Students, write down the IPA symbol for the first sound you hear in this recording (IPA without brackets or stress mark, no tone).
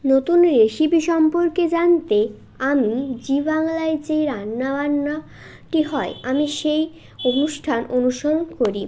n